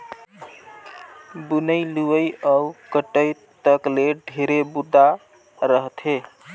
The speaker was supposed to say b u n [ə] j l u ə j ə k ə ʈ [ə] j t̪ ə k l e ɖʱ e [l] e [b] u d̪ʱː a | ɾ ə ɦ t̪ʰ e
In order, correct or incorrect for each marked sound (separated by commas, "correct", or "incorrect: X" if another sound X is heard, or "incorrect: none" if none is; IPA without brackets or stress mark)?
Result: correct, correct, incorrect: ɾ, correct